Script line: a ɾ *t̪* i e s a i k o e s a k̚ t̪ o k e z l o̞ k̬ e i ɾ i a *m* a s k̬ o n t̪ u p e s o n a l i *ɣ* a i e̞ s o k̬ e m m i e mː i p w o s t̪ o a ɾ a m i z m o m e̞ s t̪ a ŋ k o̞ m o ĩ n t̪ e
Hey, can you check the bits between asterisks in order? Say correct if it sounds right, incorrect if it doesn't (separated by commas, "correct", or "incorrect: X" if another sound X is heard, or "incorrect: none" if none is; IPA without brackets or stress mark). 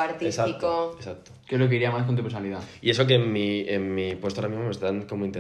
correct, correct, incorrect: ð